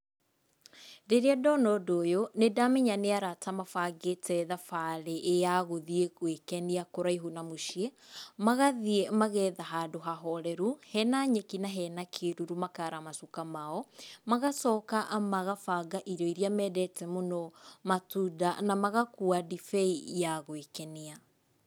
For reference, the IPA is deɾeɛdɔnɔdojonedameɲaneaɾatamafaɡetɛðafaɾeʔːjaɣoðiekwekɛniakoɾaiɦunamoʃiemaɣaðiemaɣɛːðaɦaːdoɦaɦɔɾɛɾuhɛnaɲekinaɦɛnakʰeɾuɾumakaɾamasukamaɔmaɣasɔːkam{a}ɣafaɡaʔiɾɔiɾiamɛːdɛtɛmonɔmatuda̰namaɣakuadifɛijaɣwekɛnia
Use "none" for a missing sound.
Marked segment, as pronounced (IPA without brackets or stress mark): a